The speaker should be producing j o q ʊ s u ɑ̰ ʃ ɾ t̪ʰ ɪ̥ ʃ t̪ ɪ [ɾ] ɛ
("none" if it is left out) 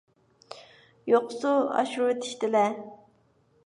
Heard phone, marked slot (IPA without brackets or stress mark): l